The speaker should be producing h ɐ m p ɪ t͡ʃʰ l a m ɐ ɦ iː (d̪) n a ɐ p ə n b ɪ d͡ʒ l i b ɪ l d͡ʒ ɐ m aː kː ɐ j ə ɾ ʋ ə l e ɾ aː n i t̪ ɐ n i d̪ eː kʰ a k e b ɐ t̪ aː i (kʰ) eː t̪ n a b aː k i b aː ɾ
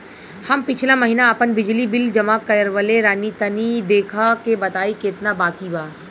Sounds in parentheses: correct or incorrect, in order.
incorrect: none, incorrect: k

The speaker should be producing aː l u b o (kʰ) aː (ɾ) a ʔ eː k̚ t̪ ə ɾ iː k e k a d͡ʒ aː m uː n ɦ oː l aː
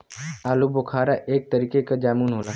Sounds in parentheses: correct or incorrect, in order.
correct, correct

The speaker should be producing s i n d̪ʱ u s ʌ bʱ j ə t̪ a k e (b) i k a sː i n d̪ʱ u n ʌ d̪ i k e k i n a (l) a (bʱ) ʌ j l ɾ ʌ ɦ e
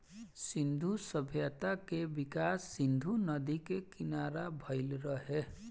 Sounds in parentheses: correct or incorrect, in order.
correct, incorrect: ɾ, correct

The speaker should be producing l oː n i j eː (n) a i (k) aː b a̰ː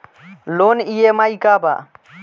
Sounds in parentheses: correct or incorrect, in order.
incorrect: m, correct

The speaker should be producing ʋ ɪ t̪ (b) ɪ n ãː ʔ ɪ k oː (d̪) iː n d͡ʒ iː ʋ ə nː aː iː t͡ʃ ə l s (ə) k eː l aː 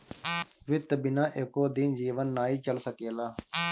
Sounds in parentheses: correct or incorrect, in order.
correct, correct, correct

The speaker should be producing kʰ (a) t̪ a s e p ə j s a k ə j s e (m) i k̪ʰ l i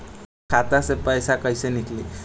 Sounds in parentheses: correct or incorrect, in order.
correct, incorrect: n

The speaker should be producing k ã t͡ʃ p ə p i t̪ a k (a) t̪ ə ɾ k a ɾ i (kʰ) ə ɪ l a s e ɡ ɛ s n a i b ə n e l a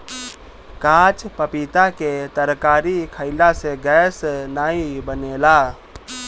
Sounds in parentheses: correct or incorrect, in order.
incorrect: e, correct

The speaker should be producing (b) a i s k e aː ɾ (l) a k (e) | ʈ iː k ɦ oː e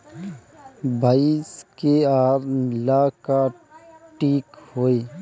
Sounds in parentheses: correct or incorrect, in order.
correct, correct, incorrect: a

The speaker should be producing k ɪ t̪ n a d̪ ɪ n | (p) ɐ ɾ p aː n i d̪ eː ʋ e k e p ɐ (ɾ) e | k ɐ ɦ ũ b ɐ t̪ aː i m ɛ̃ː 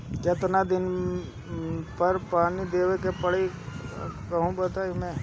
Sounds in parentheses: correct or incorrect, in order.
correct, incorrect: ɽ

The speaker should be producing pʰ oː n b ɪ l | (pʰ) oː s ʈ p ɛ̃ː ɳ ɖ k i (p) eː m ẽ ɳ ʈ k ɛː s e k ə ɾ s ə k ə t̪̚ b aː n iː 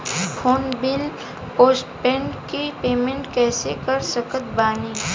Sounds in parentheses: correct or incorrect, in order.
incorrect: p, correct

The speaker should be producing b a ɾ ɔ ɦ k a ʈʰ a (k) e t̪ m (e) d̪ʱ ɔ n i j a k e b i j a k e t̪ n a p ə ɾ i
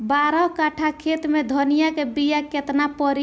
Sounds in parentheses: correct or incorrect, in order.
incorrect: kʰ, correct

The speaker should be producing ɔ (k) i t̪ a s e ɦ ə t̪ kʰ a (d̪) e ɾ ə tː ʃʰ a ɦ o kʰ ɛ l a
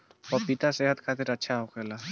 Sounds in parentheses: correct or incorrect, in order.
incorrect: p, incorrect: t̪

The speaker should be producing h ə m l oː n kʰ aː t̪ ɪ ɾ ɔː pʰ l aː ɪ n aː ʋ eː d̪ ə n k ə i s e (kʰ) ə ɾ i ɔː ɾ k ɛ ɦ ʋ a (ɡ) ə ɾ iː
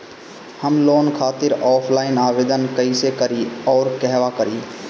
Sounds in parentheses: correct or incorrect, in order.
incorrect: k, incorrect: k

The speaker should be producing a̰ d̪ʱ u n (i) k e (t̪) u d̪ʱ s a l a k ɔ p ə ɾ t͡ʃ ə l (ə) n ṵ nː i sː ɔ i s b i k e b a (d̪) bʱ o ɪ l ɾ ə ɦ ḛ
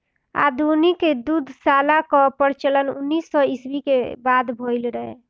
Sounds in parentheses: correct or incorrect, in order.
correct, incorrect: d̪, correct, correct

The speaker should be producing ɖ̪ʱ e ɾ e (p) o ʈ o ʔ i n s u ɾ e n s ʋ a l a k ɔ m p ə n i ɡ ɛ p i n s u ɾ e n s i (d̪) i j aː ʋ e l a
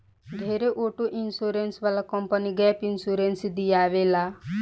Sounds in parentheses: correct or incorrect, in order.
incorrect: ʔ, correct

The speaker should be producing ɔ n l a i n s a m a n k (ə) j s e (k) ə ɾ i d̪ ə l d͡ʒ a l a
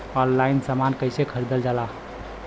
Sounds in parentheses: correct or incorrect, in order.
correct, incorrect: kʰ

